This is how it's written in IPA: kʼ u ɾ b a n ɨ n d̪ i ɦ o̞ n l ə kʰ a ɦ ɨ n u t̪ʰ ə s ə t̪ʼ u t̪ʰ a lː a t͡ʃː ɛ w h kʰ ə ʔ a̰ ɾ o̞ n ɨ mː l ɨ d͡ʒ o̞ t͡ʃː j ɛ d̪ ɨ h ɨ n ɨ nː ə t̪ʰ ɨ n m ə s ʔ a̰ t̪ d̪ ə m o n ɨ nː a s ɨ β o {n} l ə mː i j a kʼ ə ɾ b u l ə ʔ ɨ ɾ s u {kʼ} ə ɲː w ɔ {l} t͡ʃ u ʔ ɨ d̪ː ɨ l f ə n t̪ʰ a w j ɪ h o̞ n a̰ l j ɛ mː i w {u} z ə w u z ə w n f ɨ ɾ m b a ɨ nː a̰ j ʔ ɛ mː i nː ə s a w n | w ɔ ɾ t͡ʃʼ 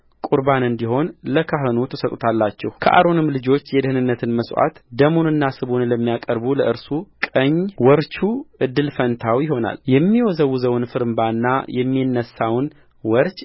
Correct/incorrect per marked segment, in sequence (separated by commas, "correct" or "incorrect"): correct, correct, incorrect, incorrect